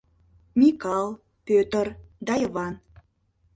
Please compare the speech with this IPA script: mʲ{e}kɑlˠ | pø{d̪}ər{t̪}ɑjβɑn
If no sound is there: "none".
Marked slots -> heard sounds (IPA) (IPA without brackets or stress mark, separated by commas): i, t̪, d̪